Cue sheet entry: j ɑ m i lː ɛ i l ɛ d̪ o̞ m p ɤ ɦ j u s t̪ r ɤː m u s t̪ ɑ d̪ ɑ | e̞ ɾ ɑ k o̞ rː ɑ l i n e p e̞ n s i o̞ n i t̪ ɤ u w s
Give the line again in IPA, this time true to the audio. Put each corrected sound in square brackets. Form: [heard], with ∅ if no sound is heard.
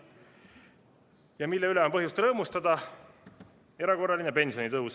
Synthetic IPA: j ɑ m i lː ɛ [y] l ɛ [∅] o̞ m p ɤ ɦ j u s t̪ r ɤː m u s t̪ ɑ d̪ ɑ | e̞ ɾ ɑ k o̞ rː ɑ l i n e p e̞ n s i o̞ n i t̪ ɤ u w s